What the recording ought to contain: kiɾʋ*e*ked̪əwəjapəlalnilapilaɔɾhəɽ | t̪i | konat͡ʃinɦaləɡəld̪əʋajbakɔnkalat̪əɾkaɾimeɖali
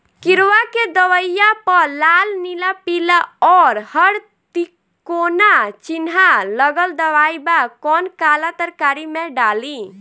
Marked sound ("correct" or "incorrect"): incorrect